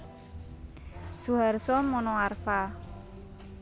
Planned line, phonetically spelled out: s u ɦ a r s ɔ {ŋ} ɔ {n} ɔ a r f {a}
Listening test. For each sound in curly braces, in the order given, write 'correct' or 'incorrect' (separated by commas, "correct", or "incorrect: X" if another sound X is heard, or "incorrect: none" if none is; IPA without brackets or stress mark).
incorrect: m, correct, correct